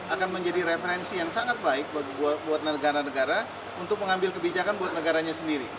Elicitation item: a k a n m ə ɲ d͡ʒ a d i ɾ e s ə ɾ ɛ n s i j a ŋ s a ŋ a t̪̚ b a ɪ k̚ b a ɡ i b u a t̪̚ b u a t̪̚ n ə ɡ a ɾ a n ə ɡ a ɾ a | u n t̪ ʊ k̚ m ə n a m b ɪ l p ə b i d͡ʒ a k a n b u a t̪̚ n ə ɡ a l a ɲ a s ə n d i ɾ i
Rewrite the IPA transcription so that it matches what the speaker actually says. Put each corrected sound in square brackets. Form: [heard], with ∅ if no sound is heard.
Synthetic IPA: a k a n m ə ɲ d͡ʒ a d i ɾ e [f] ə ɾ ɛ n s i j a ŋ s a ŋ a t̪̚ b a ɪ k̚ b a ɡ i b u a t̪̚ b u a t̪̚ n ə ɡ a ɾ a n ə ɡ a ɾ a | u n t̪ ʊ k̚ m ə [ŋ] a m b ɪ l [k] ə b i d͡ʒ a k a n b u a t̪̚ n ə ɡ a [ɾ] a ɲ a s ə n d i ɾ i